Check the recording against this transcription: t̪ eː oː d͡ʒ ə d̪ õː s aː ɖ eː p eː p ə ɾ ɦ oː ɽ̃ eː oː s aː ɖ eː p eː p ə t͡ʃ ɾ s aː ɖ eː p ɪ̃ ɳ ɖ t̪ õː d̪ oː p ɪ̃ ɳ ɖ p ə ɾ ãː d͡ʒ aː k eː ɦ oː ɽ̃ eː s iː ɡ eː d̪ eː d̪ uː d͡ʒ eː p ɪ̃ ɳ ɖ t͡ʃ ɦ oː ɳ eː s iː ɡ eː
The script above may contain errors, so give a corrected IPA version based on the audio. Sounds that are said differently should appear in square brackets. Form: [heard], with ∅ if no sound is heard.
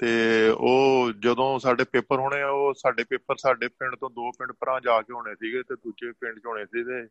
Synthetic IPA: t̪ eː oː d͡ʒ ə d̪ õː s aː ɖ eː p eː p ə ɾ ɦ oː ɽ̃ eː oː s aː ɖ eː p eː p ə [∅] ɾ s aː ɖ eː p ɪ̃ ɳ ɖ t̪ õː d̪ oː p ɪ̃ ɳ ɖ p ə ɾ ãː d͡ʒ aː k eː ɦ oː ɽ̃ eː s iː ɡ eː [t̪] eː d̪ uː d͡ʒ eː p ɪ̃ ɳ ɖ t͡ʃ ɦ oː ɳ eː s iː ɡ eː